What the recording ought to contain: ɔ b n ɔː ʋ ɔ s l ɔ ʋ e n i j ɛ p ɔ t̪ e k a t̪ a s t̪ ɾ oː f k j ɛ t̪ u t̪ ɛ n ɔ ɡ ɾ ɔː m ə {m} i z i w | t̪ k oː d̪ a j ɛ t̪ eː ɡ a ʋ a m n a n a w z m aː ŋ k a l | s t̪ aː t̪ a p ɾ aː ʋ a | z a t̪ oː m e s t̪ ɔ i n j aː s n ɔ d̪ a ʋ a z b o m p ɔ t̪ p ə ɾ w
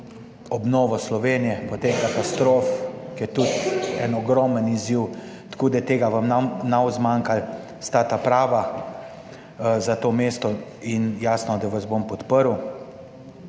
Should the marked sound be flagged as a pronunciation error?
yes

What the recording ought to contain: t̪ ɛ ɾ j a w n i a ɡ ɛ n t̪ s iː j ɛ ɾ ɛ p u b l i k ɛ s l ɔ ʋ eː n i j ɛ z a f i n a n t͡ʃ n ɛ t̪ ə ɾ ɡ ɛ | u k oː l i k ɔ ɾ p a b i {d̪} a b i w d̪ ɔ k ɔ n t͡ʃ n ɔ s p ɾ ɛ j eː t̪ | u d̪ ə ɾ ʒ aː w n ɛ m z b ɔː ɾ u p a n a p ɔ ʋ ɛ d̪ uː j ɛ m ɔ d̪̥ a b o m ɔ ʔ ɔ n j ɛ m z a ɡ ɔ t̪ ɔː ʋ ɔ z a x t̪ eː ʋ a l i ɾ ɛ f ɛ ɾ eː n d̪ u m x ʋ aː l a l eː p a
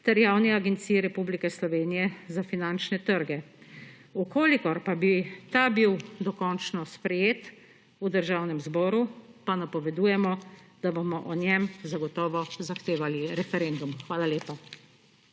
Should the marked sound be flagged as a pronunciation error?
yes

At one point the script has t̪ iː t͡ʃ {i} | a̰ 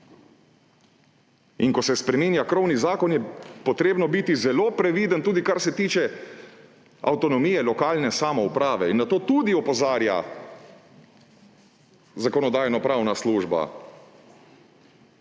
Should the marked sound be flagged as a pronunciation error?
yes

